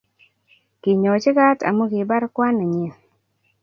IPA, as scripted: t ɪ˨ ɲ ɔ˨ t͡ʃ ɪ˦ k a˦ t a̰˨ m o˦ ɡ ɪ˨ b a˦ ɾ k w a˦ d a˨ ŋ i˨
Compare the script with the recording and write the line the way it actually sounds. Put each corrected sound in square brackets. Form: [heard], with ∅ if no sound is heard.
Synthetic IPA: [k] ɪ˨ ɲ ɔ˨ t͡ʃ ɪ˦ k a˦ t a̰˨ m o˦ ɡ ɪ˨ b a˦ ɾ k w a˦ [n] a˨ [ɲ] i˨